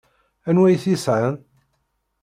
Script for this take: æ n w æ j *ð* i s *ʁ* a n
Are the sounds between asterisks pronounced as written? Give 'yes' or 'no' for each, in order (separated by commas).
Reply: no, no